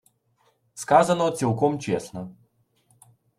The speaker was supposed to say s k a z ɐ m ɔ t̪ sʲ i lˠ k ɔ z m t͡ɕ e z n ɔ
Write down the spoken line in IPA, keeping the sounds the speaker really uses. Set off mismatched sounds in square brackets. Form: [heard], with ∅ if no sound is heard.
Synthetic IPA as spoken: s k a z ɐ [n] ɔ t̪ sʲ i lˠ k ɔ [∅] m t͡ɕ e [s] n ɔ